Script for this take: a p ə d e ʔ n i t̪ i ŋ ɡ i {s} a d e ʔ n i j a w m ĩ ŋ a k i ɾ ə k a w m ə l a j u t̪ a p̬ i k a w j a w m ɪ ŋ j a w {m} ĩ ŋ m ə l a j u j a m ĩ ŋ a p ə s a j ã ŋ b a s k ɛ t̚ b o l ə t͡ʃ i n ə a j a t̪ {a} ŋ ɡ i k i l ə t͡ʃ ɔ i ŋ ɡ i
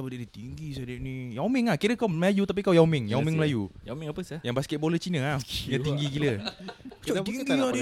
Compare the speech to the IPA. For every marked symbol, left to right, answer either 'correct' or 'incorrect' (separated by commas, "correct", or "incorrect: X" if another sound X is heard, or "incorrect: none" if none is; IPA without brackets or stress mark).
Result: correct, correct, incorrect: i